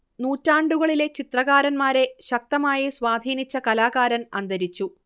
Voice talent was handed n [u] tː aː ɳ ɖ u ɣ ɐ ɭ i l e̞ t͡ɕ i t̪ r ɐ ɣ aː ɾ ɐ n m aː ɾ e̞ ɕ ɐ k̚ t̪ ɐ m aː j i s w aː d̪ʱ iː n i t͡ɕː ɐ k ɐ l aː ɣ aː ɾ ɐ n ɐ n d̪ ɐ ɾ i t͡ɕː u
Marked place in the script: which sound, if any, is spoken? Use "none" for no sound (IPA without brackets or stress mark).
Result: uː